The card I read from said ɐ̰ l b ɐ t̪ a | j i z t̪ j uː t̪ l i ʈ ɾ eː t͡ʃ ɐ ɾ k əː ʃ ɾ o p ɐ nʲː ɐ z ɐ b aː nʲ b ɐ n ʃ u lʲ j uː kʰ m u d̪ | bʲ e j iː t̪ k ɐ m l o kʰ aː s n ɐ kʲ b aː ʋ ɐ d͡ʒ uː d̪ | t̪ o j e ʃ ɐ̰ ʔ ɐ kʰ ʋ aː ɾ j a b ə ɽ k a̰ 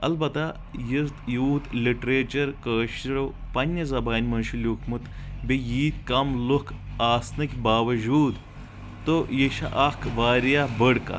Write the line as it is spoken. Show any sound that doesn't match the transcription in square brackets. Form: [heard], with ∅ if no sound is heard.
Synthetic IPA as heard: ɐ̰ l b ɐ t̪ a | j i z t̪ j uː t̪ l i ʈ ɾ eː t͡ʃ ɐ ɾ k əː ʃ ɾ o p ɐ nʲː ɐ z ɐ b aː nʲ [m] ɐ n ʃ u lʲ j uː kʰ m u [t̪] | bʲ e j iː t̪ k ɐ m l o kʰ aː s n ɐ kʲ b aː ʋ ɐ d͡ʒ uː d̪ | t̪ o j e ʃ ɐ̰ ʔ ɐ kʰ ʋ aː ɾ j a b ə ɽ k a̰